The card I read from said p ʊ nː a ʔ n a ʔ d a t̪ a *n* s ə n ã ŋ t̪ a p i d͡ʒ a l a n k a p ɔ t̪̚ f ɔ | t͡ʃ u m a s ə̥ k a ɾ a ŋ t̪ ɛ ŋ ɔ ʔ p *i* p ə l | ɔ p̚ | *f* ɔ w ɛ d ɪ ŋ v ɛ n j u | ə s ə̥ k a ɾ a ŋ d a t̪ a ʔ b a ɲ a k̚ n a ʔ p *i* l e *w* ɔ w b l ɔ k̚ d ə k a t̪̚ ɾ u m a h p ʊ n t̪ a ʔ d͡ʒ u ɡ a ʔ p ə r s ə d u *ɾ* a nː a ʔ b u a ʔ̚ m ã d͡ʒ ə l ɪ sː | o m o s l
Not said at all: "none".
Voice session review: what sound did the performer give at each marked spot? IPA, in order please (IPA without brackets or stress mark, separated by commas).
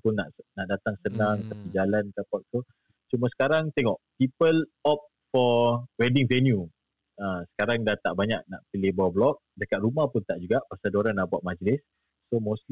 ŋ, i, f, i, b, ɾ